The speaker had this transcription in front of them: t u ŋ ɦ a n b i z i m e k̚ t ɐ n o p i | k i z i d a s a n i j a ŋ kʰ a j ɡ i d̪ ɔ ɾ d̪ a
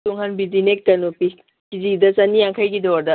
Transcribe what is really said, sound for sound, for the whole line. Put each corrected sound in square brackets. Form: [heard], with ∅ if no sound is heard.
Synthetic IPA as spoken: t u ŋ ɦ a n b i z i [n] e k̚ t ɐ n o p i | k i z i d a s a n i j a ŋ kʰ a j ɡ i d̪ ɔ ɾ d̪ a